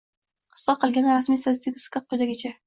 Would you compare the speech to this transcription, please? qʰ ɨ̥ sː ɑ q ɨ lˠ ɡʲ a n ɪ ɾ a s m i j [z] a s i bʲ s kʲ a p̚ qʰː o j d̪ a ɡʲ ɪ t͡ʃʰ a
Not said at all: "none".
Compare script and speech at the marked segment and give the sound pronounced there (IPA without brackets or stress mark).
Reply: s